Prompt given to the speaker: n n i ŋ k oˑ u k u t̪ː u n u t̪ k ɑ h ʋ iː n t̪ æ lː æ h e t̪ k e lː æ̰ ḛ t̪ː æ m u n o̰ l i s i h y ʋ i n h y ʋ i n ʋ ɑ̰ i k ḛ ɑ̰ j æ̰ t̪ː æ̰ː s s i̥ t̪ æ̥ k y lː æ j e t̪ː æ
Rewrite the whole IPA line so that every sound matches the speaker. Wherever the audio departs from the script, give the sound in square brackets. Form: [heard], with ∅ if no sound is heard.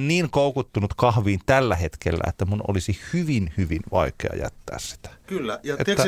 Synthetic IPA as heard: n n [iː] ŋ k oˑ u k u t̪ː u n u t̪ k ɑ h ʋ iː n t̪ æ lː æ h e t̪ k e lː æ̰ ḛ t̪ː æ m u n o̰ l i s i h y ʋ i n h y ʋ i n ʋ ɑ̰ i k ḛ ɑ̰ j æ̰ t̪ː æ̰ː s s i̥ t̪ æ̥ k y lː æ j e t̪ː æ